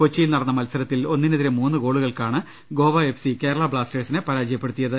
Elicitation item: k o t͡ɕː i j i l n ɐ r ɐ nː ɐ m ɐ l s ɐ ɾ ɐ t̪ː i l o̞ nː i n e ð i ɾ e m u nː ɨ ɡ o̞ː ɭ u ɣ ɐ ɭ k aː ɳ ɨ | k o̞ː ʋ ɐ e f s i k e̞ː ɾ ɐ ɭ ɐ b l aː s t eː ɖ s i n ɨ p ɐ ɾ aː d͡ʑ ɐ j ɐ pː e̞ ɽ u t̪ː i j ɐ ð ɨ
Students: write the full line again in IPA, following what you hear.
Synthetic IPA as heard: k o t͡ɕː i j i l n ɐ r ɐ nː ɐ m ɐ l s ɐ ɾ ɐ t̪ː i l o̞ nː i n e ð i ɾ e m uː nː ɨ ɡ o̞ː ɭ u ɣ ɐ ɭ k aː ɳ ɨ | ɡ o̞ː ʋ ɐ e f s i k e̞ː ɾ ɐ ɭ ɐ b ɭ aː s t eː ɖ s i n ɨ p ɐ ɾ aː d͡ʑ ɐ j ɐ pː e̞ ɽ u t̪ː i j ɐ ð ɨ